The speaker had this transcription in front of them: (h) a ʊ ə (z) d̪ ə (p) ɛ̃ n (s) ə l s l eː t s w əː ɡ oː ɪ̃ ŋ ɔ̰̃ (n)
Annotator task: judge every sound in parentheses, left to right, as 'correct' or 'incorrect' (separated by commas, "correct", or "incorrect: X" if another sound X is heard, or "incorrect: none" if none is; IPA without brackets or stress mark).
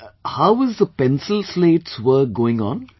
correct, correct, correct, correct, correct